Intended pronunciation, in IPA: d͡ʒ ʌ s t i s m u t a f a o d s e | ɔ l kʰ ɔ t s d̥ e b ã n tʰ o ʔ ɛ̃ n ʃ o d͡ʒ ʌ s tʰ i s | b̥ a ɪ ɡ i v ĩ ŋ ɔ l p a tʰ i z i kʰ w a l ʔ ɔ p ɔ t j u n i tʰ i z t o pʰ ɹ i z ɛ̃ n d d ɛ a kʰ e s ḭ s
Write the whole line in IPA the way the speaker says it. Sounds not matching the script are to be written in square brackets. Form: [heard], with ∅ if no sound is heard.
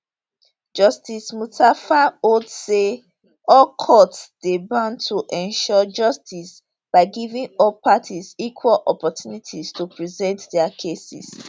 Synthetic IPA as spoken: d͡ʒ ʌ s t i s m u t a f a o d s e | ɔ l kʰ ɔ t s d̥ e b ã n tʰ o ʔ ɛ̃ n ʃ [ɔ] d͡ʒ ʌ s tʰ i s | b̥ a ɪ ɡ i v ĩ ŋ ɔ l p a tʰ i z i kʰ w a l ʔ ɔ p ɔ t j u n i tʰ i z t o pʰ ɹ i z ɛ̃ n [t] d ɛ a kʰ e s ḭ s